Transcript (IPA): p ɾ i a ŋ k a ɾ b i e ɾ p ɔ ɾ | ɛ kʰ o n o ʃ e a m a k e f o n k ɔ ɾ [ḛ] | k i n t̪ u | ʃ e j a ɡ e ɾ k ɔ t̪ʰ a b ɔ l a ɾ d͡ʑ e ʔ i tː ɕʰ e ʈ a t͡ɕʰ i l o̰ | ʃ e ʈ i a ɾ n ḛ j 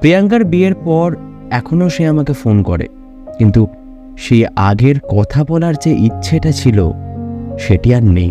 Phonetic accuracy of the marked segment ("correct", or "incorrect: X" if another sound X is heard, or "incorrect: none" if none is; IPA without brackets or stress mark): correct